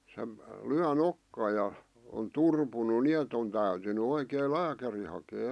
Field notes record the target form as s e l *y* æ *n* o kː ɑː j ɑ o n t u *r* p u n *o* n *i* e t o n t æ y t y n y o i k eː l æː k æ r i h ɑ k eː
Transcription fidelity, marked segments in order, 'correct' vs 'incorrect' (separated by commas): correct, correct, correct, incorrect, correct